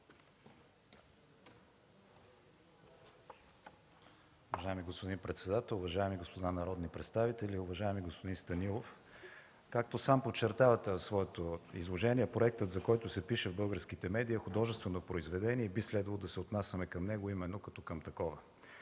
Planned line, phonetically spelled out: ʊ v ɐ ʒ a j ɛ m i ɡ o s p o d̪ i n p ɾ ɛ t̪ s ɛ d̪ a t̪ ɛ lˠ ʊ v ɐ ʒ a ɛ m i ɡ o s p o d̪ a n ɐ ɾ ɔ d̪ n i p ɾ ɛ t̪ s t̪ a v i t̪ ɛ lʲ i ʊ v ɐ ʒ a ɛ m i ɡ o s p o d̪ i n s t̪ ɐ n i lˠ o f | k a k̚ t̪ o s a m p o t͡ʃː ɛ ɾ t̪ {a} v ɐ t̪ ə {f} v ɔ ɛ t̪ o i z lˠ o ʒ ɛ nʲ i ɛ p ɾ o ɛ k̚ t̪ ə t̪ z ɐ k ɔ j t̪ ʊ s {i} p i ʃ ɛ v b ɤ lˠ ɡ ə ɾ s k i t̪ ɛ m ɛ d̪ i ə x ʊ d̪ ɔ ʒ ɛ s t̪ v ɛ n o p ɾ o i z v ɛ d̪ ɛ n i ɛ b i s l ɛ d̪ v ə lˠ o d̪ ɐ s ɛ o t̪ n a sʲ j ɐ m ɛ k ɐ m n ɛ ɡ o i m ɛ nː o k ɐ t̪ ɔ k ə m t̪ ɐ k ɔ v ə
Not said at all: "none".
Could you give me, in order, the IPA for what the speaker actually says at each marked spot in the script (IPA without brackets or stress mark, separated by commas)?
a, s, ɛ